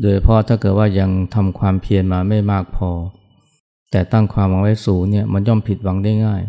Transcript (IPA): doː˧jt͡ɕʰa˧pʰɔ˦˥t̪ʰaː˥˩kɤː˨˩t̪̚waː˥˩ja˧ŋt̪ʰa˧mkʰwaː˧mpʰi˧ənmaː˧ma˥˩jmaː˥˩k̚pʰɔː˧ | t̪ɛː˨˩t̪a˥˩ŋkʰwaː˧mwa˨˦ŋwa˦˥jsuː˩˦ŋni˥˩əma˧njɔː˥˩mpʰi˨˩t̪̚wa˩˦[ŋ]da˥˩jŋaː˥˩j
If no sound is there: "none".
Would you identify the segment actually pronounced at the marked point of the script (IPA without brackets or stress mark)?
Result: ŋ